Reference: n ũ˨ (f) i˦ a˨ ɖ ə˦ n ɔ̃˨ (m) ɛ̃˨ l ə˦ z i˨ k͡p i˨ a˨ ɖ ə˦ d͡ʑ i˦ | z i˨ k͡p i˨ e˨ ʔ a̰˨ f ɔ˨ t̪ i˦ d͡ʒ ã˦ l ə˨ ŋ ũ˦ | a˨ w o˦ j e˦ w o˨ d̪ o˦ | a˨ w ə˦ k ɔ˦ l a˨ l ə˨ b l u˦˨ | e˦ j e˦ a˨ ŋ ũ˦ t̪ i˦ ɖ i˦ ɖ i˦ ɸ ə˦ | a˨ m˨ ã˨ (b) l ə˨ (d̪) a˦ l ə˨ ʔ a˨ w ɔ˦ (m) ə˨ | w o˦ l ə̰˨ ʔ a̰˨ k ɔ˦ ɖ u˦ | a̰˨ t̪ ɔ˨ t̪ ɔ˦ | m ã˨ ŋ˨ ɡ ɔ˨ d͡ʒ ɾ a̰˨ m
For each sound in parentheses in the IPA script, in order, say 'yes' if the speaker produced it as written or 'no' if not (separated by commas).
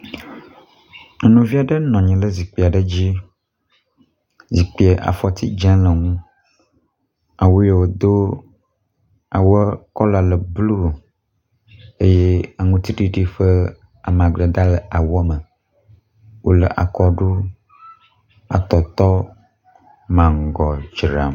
no, no, no, yes, yes